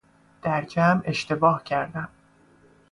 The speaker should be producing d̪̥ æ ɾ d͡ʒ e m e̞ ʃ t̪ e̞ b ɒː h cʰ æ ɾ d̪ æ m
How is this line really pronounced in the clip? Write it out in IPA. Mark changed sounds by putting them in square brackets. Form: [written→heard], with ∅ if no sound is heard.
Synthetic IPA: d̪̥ æ ɾ d͡ʒ [e→æ] m e̞ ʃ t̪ e̞ b ɒː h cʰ æ ɾ d̪ æ m